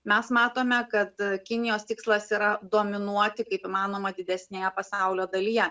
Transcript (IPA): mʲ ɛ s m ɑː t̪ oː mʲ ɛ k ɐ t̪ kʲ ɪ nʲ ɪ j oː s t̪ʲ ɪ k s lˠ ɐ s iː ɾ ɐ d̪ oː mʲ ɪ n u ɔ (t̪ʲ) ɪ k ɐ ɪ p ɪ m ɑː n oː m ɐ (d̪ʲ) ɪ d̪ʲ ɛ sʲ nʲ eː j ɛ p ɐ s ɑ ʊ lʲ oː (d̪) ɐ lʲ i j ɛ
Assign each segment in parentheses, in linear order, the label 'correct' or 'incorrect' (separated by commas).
correct, correct, correct